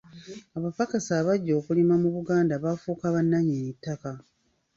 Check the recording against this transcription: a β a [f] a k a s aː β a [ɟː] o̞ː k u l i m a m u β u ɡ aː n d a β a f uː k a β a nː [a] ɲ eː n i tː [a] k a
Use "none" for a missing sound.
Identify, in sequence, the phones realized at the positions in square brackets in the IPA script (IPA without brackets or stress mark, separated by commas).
f, ɟː, a, a